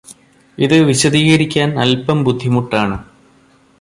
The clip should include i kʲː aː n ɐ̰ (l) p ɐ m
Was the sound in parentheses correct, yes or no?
yes